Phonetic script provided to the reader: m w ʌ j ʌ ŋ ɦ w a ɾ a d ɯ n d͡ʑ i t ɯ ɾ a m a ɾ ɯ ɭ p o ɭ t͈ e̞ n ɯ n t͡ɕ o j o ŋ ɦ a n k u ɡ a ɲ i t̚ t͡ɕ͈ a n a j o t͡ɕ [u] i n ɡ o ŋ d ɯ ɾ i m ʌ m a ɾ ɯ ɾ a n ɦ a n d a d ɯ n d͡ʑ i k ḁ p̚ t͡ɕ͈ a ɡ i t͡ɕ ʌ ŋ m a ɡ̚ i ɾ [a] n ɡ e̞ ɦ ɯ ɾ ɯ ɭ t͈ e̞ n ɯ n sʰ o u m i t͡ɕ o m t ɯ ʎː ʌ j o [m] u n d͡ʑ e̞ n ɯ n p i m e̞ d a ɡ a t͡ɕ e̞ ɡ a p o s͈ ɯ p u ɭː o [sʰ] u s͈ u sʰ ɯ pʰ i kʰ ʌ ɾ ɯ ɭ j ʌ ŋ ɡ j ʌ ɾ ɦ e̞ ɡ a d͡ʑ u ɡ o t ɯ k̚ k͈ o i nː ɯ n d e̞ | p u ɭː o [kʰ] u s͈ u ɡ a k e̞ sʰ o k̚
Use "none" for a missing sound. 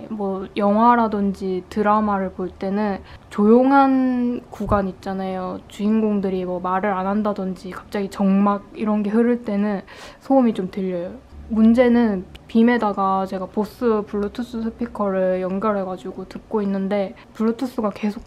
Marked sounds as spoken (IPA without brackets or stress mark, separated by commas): u, ʌ, m, tʰ, tʰ